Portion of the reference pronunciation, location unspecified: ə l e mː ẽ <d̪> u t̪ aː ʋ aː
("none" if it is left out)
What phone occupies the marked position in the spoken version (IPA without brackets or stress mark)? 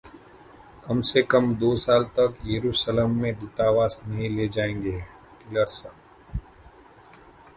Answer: d̪